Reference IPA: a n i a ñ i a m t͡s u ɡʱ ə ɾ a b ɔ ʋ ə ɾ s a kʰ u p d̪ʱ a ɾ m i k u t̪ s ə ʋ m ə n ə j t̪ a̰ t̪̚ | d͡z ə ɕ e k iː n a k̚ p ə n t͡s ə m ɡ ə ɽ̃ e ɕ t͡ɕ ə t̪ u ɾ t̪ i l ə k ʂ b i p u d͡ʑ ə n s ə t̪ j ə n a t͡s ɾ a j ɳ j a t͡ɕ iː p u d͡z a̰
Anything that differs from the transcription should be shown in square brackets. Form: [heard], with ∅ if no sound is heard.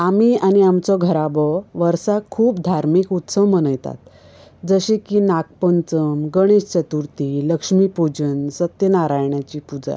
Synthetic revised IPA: a [m] i a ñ i a m t͡s [ɔ] ɡʱ ə ɾ a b ɔ ʋ ə ɾ s a kʰ [uː] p d̪ʱ a ɾ m i k u t̪ s ə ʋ m ə n ə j t̪ a̰ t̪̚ | d͡z ə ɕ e k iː n a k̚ p ə n t͡s ə m ɡ ə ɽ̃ e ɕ t͡ɕ ə t̪ u ɾ t̪ i l ə k ʂ [m] i p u d͡ʑ ə n s ə t̪ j ə n a [∅] ɾ a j ɳ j a t͡ɕ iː p u d͡z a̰